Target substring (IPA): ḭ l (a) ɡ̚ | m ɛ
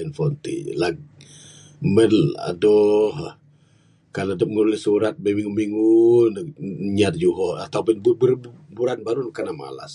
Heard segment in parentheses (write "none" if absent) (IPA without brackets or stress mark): a